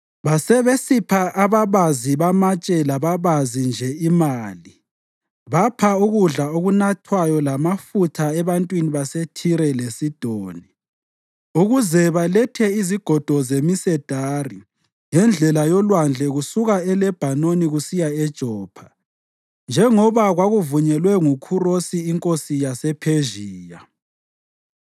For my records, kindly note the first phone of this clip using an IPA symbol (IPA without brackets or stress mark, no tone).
β